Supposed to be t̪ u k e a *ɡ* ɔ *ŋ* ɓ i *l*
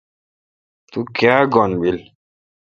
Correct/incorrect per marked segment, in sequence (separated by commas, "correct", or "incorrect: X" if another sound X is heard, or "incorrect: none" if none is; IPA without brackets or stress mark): correct, incorrect: n, correct